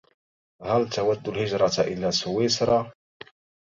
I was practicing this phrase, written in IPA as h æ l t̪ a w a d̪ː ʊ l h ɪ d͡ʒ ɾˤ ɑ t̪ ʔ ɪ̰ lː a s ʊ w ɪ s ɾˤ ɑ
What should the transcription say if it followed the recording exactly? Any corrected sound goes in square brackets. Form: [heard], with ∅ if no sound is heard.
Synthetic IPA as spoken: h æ l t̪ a w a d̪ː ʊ l h ɪ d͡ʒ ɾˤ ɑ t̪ ʔ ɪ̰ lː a s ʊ w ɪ s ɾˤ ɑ